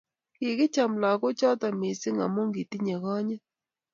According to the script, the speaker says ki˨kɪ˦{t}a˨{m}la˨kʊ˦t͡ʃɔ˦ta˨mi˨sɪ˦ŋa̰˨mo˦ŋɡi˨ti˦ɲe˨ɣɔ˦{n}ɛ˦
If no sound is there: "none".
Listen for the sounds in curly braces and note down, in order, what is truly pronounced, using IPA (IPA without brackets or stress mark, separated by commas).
t͡ʃ, m, ɲ